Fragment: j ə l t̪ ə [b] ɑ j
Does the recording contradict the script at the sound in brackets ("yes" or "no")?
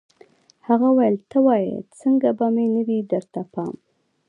yes